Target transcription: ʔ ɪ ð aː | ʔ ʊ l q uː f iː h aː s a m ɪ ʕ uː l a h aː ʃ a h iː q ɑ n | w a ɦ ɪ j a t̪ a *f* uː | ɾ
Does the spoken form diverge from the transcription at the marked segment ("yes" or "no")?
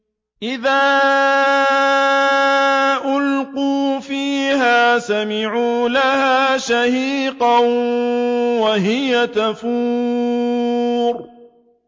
no